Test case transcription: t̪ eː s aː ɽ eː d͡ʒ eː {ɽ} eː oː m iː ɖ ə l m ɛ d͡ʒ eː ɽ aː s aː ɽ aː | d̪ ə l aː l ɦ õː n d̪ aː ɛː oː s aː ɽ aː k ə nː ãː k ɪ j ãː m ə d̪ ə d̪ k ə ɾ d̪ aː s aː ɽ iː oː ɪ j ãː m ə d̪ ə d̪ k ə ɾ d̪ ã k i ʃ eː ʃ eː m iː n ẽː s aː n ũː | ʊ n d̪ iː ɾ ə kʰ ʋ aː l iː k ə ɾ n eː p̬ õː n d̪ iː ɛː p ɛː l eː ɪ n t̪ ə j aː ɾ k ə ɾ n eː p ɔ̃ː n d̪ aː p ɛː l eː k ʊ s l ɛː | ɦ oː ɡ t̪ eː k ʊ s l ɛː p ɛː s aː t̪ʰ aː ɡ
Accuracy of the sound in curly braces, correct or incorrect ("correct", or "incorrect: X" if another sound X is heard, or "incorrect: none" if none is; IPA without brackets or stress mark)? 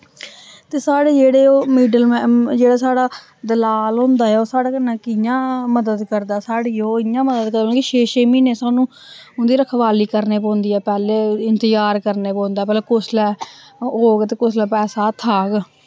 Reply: correct